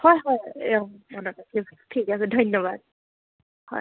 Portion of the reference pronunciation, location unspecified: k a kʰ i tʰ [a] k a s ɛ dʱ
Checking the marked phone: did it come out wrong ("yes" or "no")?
yes